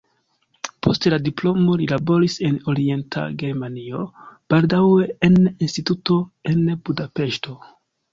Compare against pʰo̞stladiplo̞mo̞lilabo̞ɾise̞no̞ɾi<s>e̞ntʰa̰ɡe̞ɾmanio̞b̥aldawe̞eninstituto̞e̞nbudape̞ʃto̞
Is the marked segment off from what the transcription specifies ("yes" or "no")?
yes